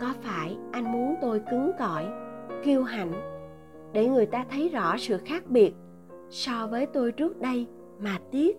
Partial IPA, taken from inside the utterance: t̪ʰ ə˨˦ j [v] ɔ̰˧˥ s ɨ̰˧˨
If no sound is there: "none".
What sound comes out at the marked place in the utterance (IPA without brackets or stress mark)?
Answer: z